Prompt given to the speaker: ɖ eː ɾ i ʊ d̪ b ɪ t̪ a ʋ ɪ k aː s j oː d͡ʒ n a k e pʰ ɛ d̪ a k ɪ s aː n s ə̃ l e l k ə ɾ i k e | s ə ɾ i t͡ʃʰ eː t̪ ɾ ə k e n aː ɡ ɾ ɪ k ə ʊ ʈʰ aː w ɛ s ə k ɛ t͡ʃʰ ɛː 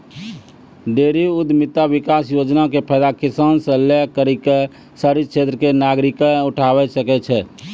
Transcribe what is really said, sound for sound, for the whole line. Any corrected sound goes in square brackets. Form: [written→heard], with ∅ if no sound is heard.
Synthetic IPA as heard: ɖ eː ɾ i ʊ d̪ [b→m] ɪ t̪ a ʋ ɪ k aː s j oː d͡ʒ n a k e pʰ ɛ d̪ a k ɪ s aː n s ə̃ l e [l→∅] k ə ɾ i k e | s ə ɾ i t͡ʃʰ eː t̪ ɾ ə k e n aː ɡ ɾ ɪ k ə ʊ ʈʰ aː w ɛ s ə k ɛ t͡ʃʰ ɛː